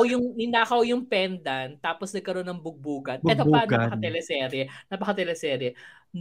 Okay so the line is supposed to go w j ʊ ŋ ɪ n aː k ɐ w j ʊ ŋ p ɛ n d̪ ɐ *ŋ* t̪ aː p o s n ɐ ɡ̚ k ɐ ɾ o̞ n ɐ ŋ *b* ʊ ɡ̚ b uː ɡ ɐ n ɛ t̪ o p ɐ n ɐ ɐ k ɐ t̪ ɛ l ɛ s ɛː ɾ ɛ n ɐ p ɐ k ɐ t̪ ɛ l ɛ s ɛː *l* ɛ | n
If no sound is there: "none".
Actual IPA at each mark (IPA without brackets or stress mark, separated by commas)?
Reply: n, b, ɾ